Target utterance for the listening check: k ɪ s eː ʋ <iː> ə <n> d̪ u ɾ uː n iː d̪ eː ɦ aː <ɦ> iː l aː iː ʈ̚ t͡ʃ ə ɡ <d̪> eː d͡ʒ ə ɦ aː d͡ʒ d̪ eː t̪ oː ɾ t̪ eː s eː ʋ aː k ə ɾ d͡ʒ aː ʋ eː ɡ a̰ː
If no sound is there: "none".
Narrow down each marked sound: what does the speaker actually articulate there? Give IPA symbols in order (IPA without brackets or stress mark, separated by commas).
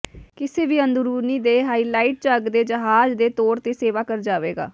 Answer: iː, n, none, d̪